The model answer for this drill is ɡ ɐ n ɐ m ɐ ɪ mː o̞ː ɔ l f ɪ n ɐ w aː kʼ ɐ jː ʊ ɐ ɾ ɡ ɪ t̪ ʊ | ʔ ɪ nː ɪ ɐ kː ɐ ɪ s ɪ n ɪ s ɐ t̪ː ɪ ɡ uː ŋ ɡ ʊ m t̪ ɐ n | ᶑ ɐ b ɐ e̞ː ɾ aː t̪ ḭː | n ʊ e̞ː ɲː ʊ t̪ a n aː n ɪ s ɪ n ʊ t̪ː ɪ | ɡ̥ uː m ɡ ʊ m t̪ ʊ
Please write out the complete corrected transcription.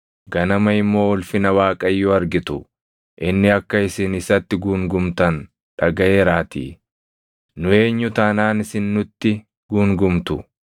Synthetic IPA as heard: ɡ ɐ n ɐ m ɐ ɪ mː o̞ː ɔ l f ɪ n ɐ w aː kʼ ɐ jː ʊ ɐ ɾ ɡ ɪ t̪ ʊ | ʔ ɪ nː ɪ ɐ kː ɐ ɪ s ɪ n ɪ s ɐ t̪ː ɪ ɡ uː ŋ ɡ ʊ m t̪ ɐ n | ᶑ ɐ ɡ ɐ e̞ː ɾ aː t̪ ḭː | n ʊ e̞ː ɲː ʊ t̪ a n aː n ɪ s ɪ nː ʊ t̪ː ɪ | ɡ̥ uː ŋ ɡ ʊ m t̪ ʊ